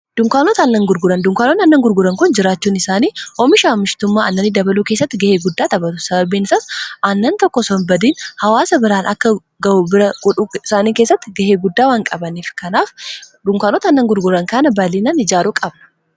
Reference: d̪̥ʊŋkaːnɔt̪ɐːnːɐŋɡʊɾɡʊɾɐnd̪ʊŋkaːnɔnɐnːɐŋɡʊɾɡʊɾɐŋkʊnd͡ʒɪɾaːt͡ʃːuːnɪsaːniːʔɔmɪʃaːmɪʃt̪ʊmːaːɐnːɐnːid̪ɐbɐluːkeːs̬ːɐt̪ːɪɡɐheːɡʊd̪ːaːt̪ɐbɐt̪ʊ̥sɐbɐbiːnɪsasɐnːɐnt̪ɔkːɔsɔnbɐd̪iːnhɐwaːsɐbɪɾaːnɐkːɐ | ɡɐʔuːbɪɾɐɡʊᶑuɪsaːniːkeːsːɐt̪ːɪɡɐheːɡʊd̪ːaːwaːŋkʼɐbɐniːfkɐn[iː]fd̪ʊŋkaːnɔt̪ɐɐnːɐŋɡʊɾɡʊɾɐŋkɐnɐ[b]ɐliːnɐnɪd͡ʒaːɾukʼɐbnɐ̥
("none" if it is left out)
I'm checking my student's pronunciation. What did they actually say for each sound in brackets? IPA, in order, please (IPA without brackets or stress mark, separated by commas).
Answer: aː, b